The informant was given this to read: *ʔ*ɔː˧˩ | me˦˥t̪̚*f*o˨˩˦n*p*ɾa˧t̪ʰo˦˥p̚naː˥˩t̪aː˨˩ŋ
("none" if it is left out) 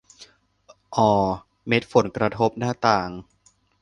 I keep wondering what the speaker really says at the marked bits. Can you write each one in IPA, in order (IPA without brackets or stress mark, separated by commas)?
ʔ, f, k